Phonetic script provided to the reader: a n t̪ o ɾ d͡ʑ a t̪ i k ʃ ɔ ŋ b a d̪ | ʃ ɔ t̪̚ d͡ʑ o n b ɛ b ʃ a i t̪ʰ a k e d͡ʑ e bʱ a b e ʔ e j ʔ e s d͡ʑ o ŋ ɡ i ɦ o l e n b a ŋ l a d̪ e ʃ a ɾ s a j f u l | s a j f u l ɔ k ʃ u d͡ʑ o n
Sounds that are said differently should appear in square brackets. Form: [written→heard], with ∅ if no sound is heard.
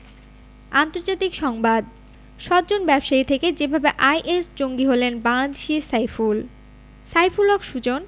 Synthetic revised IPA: a n t̪ o ɾ d͡ʑ a t̪ i k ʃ ɔ ŋ b a d̪ | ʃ ɔ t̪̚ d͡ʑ o n b ɛ b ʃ a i t̪ʰ [a→e] k e d͡ʑ e bʱ a b e ʔ [e→a] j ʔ e s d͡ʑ o ŋ ɡ i ɦ o l e n b a ŋ l a d̪ e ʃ [a→i] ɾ s a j f u l | s a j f u l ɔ k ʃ u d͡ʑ o n

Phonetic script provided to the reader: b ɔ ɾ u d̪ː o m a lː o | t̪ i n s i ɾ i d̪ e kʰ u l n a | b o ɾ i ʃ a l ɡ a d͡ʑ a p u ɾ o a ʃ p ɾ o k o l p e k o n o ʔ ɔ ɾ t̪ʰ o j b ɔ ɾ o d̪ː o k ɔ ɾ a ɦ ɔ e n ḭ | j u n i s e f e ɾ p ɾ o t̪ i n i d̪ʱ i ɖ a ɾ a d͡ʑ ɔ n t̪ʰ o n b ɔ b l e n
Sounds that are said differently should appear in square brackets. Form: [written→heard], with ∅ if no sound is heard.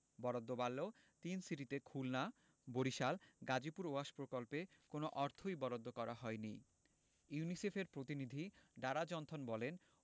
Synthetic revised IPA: b ɔ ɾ [u→o] d̪ː o [m→b] a lː o | t̪ i n s i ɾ i [d̪→t̪] e kʰ u l n a | b o ɾ i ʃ a l ɡ a d͡ʑ [a→i] p u ɾ o a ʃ p ɾ o k o l p e k o n o ʔ ɔ ɾ t̪ʰ o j b ɔ ɾ o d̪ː o k ɔ ɾ a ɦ ɔ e n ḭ | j u n i s e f e ɾ p ɾ o t̪ i n i d̪ʱ i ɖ a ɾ a d͡ʑ ɔ n t̪ʰ o n b ɔ [b→∅] l e n

